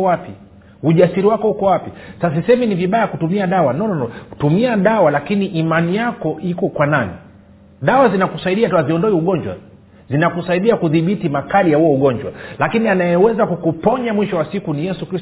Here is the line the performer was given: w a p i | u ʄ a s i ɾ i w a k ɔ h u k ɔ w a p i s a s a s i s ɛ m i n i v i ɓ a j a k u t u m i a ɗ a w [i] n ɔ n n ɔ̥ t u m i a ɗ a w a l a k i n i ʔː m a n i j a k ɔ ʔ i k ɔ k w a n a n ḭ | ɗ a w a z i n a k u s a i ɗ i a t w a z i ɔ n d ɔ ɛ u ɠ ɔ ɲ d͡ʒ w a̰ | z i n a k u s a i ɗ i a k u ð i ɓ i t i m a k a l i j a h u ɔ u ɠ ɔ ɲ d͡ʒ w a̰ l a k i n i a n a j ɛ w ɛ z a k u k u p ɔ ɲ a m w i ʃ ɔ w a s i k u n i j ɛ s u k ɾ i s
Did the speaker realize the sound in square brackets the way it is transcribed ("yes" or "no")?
no